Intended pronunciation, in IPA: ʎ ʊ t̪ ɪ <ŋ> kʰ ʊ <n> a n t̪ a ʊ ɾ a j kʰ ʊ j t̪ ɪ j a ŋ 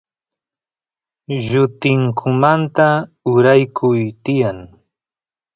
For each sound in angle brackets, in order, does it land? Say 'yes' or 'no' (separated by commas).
yes, no